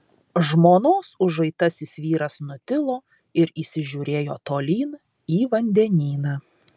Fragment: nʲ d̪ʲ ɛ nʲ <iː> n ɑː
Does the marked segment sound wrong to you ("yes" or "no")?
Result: no